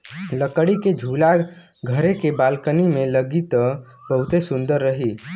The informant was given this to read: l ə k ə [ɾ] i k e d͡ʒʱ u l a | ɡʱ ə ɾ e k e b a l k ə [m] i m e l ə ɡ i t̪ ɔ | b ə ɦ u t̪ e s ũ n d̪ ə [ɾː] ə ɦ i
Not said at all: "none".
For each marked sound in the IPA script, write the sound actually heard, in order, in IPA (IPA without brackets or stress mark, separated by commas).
ɽ, n, ɾː